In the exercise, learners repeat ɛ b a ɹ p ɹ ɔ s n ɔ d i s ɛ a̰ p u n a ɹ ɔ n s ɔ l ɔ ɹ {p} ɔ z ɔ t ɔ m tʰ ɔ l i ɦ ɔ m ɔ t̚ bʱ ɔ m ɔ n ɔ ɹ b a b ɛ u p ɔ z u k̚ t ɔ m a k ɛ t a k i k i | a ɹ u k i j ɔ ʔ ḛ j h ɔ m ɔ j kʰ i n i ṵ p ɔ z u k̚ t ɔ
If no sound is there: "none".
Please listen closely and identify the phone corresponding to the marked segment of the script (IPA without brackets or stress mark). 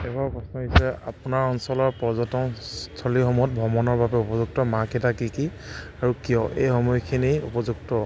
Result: p